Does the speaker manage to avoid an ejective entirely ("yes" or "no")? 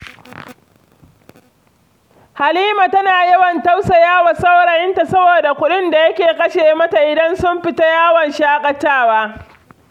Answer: no